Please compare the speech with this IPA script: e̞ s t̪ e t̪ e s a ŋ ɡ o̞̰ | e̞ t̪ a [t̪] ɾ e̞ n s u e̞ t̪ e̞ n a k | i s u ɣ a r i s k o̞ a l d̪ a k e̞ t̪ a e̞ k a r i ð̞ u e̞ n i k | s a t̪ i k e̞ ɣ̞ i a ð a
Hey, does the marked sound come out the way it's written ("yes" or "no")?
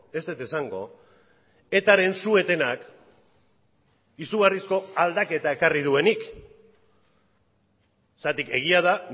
no